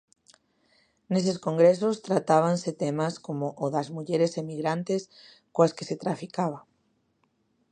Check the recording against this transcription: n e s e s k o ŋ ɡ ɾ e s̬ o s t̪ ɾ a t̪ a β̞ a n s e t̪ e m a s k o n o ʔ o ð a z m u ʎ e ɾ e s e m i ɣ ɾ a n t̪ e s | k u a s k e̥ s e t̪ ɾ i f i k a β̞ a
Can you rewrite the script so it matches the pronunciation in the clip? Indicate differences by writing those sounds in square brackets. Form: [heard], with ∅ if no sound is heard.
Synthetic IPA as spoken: n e s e s k o ŋ ɡ ɾ e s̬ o s t̪ ɾ a t̪ a β̞ a n s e t̪ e m a s k o [m] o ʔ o ð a z m u ʎ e ɾ e s e m i ɣ ɾ a n t̪ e s | k [o] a s k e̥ s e t̪ ɾ [a] f i k a β̞ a

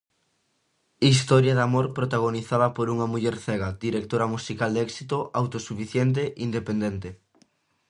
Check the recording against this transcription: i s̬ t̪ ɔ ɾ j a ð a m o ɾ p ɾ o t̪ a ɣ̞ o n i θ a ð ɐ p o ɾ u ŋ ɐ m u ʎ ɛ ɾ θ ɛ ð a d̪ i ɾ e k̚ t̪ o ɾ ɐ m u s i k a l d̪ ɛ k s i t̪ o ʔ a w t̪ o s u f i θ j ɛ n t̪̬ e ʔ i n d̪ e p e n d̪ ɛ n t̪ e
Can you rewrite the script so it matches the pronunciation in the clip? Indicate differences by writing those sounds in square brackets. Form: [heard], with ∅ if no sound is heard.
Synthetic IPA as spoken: i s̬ t̪ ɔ ɾ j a ð a m o ɾ p ɾ o t̪ a ɣ̞ o n i θ a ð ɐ p o ɾ u ŋ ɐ m u ʎ ɛ ɾ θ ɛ [ɣ] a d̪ i ɾ e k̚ t̪ o ɾ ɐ m u s i k a l d̪ ɛ k s i t̪ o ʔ a w t̪ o s u f i θ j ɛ n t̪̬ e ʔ i n d̪ e p e n d̪ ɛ n t̪ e

